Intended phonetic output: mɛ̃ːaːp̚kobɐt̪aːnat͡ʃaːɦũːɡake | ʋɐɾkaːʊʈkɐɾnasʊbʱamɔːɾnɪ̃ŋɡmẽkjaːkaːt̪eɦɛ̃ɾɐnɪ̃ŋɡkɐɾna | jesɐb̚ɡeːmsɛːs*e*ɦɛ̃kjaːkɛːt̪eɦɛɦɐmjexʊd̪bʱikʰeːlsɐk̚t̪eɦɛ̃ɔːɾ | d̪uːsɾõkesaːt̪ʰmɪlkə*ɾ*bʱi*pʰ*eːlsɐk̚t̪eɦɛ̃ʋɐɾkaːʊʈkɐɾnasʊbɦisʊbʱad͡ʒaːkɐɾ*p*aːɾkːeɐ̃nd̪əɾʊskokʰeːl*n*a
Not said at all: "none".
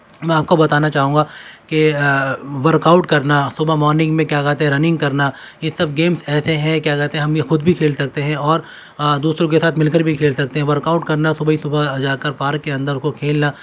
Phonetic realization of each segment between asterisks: e, ɾ, kʰ, p, n

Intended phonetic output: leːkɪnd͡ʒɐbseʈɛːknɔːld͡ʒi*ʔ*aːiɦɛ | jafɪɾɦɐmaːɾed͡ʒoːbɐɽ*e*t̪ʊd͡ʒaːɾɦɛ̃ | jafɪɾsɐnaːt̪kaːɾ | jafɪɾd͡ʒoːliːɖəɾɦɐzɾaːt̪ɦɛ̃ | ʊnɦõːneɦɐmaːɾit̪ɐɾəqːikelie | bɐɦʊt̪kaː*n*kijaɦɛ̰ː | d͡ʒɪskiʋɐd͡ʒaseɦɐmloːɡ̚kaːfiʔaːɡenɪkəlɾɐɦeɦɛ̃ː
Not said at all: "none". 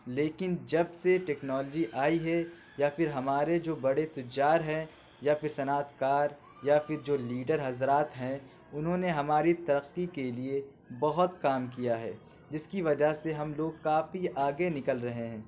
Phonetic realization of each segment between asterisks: ʔ, e, m

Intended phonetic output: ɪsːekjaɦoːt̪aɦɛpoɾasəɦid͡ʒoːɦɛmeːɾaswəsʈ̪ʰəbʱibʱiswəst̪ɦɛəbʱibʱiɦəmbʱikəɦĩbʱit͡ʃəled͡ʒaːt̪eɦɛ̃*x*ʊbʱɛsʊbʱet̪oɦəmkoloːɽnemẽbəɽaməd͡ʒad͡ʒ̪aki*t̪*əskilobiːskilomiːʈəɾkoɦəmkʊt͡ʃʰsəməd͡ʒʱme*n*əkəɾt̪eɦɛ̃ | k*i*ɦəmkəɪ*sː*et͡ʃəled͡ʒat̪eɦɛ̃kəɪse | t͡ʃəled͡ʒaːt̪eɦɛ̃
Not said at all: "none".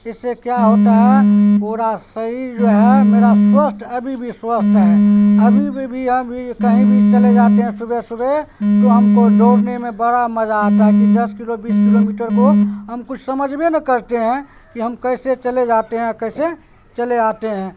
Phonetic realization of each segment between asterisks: s, d̪, n, i, s

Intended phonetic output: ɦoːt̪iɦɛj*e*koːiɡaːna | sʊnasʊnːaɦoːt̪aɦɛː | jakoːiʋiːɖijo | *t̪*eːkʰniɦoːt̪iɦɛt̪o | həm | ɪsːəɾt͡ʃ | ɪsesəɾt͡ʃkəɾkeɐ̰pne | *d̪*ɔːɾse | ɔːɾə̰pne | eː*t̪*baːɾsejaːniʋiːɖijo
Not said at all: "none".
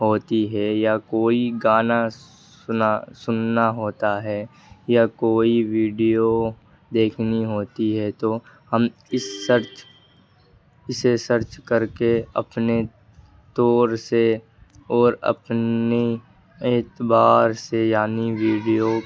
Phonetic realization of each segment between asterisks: a, d̪, t̪, t̪

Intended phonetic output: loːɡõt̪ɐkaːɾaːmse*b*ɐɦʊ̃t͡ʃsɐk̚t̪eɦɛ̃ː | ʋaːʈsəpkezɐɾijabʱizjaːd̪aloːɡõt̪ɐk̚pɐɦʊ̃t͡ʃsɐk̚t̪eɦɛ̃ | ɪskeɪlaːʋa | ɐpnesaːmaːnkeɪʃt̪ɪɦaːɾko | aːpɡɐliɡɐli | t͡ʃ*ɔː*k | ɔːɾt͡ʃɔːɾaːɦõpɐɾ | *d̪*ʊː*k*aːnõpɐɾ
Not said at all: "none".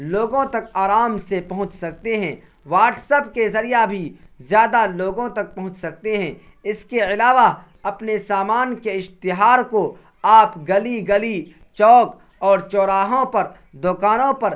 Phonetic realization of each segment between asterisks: p, ɔː, d̪, k

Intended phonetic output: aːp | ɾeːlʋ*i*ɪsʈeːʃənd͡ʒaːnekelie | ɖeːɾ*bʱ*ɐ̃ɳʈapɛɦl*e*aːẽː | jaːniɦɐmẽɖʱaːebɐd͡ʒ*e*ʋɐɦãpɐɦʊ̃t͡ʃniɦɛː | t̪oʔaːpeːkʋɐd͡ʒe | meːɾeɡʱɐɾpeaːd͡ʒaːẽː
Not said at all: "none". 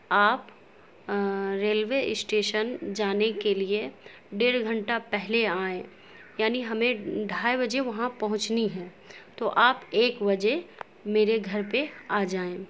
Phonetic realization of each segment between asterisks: e, ɡʱ, e, e

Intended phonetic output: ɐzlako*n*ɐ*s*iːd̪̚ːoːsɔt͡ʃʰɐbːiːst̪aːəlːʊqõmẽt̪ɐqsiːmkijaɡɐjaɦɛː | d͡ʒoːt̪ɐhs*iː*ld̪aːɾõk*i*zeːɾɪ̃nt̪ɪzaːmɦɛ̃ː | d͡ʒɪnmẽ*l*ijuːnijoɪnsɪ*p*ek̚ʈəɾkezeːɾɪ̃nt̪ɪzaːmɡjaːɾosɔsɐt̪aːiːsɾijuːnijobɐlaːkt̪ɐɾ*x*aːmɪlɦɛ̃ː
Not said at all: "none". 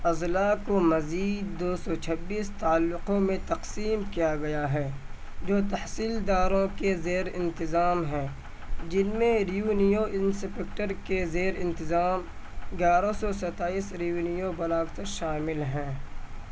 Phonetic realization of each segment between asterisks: m, z, iː, e, ɾ, p, ʃ

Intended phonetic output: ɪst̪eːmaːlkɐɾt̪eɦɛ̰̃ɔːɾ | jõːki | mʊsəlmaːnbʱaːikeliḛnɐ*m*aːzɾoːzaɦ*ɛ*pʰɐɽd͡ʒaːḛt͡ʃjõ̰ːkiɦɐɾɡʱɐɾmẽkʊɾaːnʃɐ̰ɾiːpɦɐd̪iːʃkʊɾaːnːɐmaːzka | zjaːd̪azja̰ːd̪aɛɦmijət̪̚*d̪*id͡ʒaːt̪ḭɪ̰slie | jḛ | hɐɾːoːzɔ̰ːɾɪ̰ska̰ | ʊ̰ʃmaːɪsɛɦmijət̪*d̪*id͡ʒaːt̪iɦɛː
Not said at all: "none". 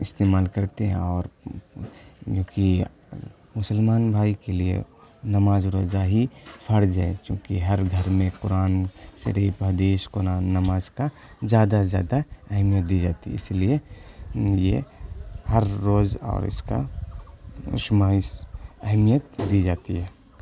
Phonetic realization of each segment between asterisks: m, i, d̪, d̪

